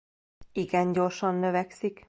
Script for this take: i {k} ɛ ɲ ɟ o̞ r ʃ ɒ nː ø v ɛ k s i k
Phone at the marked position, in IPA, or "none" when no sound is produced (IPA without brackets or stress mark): ɡ